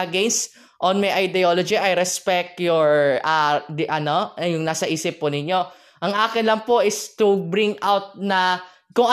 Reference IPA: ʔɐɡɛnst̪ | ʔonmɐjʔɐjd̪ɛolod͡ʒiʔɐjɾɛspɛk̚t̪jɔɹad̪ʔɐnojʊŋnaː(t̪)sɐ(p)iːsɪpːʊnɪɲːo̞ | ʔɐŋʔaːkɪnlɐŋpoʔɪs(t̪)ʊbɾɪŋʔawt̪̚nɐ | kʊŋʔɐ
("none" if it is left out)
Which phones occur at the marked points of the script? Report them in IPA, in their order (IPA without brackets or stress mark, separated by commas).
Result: none, ʔ, t̪